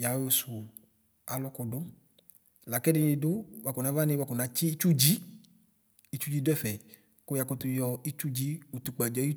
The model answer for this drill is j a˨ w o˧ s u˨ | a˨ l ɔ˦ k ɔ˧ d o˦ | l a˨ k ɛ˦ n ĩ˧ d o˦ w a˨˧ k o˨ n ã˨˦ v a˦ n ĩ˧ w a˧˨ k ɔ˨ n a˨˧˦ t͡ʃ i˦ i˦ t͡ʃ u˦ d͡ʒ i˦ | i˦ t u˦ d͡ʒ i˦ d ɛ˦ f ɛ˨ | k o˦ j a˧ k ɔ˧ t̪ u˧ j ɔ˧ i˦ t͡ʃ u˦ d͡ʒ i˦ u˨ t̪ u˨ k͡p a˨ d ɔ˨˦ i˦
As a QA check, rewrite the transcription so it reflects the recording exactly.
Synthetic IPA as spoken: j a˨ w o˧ s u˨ | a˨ l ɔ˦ k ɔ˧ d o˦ | l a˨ k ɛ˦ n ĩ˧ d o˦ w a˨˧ k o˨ n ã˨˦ v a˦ n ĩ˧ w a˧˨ k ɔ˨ n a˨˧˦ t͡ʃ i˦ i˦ t͡ʃ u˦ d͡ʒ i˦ | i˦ t͡ʃ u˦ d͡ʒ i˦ d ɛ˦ f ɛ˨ | k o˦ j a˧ k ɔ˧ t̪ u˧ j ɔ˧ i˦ t͡ʃ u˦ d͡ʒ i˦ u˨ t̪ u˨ k͡p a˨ d͡ʒ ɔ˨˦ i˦